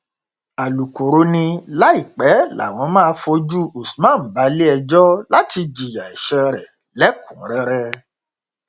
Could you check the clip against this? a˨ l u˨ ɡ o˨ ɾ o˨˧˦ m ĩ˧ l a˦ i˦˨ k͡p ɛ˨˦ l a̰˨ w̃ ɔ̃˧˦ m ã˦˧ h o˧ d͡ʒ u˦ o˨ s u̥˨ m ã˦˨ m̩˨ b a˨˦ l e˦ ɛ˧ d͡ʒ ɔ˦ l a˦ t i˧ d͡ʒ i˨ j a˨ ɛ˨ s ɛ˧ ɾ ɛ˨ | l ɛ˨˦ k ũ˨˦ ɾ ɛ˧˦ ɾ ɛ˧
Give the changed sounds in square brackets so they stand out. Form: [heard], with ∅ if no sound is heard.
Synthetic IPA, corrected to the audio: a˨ l u˨ [k] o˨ ɾ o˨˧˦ [n] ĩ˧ l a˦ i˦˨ k͡p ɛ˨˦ l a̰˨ w̃ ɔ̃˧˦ m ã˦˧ [f] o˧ d͡ʒ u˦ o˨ s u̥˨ m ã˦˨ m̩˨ b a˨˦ l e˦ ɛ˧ d͡ʒ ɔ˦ l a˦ t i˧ d͡ʒ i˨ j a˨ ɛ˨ [ʃ] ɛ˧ ɾ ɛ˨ | l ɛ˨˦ k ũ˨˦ ɾ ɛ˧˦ ɾ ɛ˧